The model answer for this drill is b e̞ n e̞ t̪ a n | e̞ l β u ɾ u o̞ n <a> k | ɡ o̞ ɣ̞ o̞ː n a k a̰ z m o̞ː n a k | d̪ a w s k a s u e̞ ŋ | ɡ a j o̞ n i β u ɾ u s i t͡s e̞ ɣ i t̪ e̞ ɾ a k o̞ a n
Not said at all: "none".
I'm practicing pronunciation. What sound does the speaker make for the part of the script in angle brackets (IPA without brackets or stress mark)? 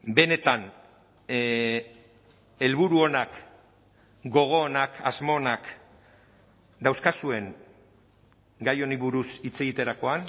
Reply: a